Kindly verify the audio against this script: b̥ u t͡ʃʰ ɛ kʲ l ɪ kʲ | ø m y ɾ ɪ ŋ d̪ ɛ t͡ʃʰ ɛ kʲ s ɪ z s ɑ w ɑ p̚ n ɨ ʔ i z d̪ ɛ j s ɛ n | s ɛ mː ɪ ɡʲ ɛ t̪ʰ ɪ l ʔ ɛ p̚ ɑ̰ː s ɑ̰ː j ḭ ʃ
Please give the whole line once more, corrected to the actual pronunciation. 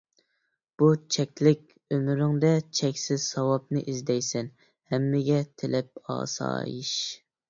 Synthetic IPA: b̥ u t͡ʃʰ ɛ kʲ l ɪ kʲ | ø m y ɾ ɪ ŋ d̪ ɛ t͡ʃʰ ɛ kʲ s ɪ z s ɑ w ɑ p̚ n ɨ ʔ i z d̪ ɛ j s ɛ n | h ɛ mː ɪ ɡʲ ɛ t̪ʰ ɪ l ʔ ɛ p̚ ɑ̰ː s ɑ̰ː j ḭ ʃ